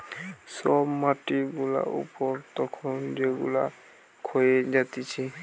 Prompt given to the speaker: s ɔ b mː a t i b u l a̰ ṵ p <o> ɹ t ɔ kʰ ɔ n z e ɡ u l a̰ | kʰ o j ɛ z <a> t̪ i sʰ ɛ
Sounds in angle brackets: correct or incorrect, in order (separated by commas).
incorrect, correct